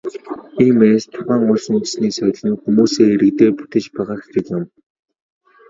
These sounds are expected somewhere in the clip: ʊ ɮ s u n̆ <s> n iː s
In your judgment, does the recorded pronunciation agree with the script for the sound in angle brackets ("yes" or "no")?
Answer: yes